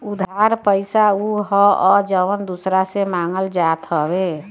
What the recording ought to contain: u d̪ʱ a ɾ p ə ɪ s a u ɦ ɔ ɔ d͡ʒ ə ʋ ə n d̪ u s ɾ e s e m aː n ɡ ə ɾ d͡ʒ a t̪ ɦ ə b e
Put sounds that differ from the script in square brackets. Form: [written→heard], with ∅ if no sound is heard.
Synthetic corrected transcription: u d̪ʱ a ɾ p ə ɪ s a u ɦ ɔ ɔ d͡ʒ ə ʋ ə n d̪ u s ɾ [e→a] s e m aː [n→ŋ] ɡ ə [ɾ→l] d͡ʒ a t̪ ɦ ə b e

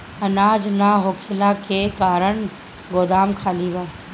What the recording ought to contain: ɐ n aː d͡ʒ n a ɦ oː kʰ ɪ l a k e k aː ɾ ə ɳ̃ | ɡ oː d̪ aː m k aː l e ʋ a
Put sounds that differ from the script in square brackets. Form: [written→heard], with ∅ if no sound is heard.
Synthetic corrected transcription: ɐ n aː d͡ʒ n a ɦ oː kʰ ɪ l a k e k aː ɾ ə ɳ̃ | ɡ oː d̪ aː m [k→kʰ] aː l [e→i] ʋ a

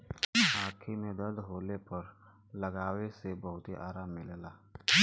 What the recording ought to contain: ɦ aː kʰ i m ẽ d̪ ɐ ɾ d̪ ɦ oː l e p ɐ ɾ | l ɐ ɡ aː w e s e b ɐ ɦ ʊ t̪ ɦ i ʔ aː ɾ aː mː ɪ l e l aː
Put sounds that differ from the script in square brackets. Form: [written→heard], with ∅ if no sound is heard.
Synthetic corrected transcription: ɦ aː kʰ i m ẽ d̪ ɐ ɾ d̪ ɦ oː l e p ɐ ɾ | l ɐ ɡ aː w e s e b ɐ ɦ ʊ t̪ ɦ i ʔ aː ɾ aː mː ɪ l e l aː

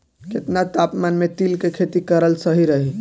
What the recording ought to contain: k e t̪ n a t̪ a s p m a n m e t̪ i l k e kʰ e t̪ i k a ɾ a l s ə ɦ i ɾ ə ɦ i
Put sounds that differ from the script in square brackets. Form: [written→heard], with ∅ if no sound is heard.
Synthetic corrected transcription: k e t̪ n a t̪ a [s→∅] p m a n m e t̪ i l k e kʰ e t̪ i k [a→ə] ɾ [a→ə] l s ə ɦ i ɾ ə ɦ i

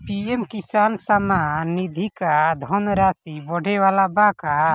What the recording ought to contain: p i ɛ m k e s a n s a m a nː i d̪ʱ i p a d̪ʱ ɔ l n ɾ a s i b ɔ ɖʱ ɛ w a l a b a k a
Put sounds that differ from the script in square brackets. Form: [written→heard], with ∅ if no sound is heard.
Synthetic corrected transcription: p i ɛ m k [e→i] s a n s a m a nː i d̪ʱ i [p→k] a d̪ʱ ɔ [l→∅] n ɾ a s i b ɔ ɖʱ ɛ w a l a b a k a

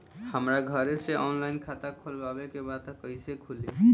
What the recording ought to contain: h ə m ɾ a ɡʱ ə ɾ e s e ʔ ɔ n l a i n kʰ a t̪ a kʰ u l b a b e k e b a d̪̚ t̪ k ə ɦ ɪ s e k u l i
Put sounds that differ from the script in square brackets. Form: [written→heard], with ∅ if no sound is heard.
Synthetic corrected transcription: h ə m ɾ a ɡʱ ə ɾ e s e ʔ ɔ n l a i n kʰ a t̪ a kʰ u l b a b e k e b a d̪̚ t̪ k ə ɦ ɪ s e [k→kʰ] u l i

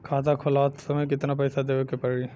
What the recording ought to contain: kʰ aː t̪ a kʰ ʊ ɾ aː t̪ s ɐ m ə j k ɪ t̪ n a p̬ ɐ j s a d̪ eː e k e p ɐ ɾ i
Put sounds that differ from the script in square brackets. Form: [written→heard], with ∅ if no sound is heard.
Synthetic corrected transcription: kʰ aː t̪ a kʰ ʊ [ɾ→l] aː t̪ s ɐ m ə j k ɪ t̪ n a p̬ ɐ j s a d̪ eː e k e p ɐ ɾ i

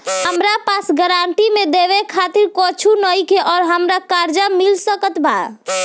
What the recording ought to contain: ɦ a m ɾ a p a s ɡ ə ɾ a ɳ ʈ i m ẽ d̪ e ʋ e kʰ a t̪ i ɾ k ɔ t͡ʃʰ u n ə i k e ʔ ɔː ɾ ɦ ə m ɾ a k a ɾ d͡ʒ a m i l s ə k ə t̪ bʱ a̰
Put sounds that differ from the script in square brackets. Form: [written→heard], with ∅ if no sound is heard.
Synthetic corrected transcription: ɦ [a→ə] m ɾ a p a s ɡ ə ɾ a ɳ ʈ i m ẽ d̪ e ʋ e kʰ a t̪ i ɾ k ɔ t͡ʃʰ u n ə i k e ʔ ɔː ɾ ɦ ə m ɾ a k a ɾ d͡ʒ a m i l s ə k ə t̪ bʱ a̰

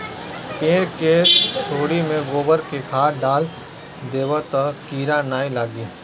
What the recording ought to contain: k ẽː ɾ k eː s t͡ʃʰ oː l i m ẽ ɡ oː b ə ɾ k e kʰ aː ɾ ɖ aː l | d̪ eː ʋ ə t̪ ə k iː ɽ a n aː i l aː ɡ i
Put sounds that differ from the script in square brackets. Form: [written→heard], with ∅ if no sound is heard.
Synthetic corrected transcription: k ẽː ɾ k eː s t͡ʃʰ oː [l→ɽ] i m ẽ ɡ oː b ə ɾ k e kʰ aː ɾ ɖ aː l | d̪ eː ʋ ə t̪ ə k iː [ɽ→ɾ] a n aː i l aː ɡ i

